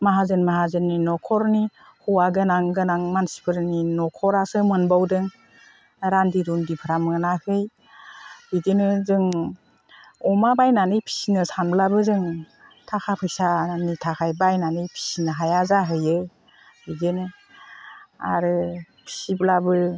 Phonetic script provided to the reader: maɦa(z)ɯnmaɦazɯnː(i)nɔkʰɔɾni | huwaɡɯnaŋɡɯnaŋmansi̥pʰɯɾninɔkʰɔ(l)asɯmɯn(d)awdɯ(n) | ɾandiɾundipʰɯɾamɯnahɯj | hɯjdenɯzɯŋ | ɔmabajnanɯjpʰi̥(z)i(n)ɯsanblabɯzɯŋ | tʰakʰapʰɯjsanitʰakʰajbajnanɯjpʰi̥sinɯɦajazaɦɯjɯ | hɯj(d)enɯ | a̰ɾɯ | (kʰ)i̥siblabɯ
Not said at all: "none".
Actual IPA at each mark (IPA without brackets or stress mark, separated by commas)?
z, i, ɾ, b, ŋ, s, n, d, pʰ